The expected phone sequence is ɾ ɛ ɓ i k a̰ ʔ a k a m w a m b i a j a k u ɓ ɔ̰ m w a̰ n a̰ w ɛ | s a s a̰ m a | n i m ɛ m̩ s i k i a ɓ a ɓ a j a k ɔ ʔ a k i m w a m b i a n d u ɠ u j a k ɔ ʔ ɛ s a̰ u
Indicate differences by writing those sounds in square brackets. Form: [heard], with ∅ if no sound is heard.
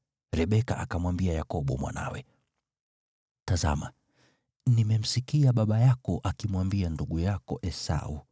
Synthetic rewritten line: ɾ ɛ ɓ [ɛ] k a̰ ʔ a k a m w a m b i a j a k [ɔ] ɓ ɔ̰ m w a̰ n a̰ w ɛ | [t] a [z] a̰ m a | n i m ɛ m̩ s i k i a ɓ a ɓ a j a k ɔ ʔ a k i m w a m b i a n d u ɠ u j a k ɔ ʔ ɛ s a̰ u